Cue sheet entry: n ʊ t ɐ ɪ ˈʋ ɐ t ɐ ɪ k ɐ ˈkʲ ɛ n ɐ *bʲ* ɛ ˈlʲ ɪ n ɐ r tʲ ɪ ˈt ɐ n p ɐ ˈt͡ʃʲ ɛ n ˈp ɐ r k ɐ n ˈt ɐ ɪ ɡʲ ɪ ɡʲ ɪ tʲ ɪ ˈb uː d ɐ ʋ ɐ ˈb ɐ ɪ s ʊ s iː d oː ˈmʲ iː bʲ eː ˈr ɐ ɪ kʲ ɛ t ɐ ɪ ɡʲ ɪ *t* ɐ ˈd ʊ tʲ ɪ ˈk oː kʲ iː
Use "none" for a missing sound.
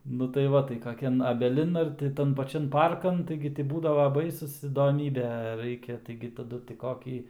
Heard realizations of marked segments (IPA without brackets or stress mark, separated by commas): bʲ, t